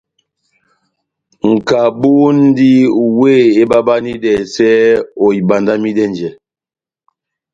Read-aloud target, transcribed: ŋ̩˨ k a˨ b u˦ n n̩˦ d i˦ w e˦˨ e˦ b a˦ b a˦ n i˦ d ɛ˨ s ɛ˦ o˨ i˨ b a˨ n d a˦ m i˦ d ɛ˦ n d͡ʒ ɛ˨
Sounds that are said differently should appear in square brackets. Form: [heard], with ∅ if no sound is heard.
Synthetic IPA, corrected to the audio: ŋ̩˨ k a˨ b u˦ n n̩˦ d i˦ w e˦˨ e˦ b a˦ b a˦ n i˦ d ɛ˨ s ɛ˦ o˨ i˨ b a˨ n d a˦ m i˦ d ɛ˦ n d͡ʒ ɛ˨